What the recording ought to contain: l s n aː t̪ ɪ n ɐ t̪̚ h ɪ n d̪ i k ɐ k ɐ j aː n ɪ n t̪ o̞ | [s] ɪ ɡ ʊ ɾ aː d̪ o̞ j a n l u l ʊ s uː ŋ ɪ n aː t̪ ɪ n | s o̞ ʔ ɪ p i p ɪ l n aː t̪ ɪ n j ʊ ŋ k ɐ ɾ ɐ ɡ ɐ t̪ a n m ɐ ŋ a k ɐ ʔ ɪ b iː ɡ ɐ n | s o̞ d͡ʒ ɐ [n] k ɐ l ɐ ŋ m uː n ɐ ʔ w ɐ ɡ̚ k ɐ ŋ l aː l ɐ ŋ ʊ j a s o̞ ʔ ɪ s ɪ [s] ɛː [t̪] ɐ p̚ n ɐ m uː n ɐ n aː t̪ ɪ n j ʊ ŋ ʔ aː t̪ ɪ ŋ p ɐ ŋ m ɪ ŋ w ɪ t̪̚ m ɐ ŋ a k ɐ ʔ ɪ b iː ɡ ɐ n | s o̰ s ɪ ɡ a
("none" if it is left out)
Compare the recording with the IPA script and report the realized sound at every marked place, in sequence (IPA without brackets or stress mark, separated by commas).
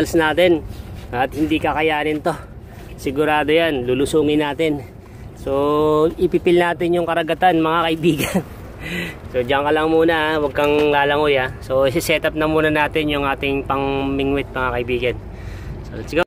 s, ŋ, s, t̪